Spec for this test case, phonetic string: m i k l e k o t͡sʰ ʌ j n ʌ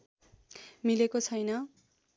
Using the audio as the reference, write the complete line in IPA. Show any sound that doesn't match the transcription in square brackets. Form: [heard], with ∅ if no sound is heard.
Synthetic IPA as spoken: m i [∅] l e k o t͡sʰ ʌ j n ʌ

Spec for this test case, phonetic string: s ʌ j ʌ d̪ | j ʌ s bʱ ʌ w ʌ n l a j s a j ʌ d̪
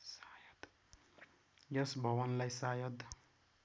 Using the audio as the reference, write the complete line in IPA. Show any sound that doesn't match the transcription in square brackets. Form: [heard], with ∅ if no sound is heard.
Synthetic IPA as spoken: s [a] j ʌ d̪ | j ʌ s bʱ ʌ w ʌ n l a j s a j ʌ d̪

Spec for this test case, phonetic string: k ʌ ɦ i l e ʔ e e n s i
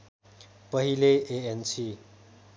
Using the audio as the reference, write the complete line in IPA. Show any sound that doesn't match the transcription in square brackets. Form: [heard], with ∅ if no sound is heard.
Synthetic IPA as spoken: [p] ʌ ɦ i l e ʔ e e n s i

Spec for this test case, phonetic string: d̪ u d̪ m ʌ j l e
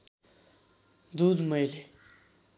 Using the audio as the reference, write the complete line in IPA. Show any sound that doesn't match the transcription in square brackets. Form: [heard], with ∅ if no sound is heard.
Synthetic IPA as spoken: d̪ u d̪ m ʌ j l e

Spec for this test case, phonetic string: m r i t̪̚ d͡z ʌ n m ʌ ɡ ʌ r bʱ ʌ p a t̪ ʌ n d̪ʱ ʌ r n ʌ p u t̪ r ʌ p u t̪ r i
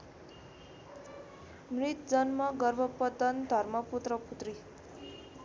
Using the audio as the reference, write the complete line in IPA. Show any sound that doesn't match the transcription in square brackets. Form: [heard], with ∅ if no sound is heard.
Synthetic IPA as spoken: m r i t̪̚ d͡z ʌ n m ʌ ɡ ʌ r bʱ ʌ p [ʌ] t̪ ʌ n d̪ʱ ʌ r [m] ʌ p u t̪ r ʌ p u t̪ r i

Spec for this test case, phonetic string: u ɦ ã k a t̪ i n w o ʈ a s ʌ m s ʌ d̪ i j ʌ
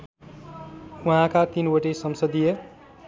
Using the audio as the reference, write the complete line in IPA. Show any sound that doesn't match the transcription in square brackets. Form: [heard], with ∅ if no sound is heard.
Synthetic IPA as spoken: u ɦ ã k a t̪ i n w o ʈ [e] s ʌ m s ʌ d̪ i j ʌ

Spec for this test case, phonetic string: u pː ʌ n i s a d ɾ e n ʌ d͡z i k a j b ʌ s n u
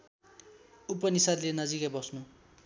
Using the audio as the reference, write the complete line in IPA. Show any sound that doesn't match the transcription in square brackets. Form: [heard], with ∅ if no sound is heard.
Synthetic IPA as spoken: u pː ʌ n i s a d [l] e n ʌ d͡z i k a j b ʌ s n u

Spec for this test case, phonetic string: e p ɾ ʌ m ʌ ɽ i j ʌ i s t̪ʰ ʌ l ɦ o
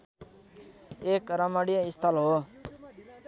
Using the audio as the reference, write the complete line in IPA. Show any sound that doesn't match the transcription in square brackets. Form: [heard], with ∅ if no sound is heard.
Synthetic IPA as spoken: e [k] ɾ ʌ m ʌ ɽ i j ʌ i s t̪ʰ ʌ l ɦ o

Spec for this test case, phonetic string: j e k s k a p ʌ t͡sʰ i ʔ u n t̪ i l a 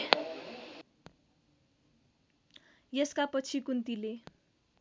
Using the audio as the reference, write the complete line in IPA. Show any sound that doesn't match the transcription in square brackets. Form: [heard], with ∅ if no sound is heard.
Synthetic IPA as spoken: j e [∅] s k a p ʌ t͡sʰ i [k] u n t̪ i l [e]

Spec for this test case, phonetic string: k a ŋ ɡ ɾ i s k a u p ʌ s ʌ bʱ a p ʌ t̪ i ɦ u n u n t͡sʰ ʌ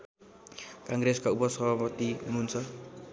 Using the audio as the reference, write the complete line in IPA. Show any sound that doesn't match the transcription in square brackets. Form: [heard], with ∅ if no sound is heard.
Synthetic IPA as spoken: k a ŋ ɡ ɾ [e] s k a u p ʌ s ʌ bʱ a p ʌ t̪ i ɦ u n u n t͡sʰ ʌ

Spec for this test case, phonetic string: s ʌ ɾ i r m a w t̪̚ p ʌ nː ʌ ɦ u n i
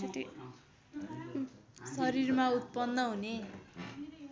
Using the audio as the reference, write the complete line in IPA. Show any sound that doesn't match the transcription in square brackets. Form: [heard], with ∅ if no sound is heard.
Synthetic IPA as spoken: s ʌ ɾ i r m a [u] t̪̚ p ʌ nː ʌ ɦ u n [e]

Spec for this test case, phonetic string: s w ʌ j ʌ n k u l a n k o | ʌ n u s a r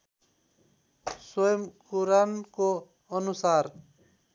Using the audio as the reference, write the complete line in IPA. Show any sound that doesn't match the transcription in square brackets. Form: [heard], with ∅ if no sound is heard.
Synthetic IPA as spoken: s w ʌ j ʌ [m] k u [ɾ] a n k o | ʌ n u s a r

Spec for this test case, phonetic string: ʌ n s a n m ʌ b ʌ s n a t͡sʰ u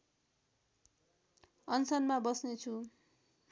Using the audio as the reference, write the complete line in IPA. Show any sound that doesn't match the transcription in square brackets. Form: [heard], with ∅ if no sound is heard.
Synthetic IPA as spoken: ʌ n s [ʌ] n m [a] b ʌ s n [e] t͡sʰ u

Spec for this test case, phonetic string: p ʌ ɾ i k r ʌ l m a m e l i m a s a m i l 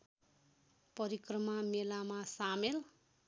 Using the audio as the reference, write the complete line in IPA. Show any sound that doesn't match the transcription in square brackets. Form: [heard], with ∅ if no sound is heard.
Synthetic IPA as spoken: p ʌ ɾ i k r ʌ [∅] m a m e l [a] m a s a m [e] l

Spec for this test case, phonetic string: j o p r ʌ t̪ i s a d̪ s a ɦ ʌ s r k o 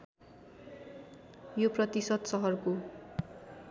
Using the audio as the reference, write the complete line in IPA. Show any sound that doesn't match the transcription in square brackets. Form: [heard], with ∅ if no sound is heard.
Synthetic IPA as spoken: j o p r ʌ t̪ i s [ʌ] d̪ s [ʌ] ɦ ʌ [∅] r k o

